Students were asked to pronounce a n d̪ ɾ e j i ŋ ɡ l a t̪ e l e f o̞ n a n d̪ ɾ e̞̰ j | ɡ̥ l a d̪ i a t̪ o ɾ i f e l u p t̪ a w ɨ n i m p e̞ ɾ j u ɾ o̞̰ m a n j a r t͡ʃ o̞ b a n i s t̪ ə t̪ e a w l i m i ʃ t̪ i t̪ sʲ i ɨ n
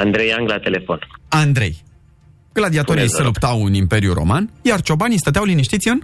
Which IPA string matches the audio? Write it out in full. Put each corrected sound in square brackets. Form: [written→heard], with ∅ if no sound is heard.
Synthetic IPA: a n d̪ ɾ e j [i→a] ŋ ɡ l a t̪ e l e f o̞ n a n d̪ ɾ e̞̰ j | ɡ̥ l a d̪ i a t̪ o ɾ i [f→s] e l u p t̪ a w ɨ n i m p e̞ ɾ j u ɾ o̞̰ m a n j a r t͡ʃ o̞ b a n i s t̪ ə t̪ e a w l i [m→n] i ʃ t̪ i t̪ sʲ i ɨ n